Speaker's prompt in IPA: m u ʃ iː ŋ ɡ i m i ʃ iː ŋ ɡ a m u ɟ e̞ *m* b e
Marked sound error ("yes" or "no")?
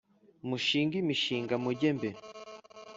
no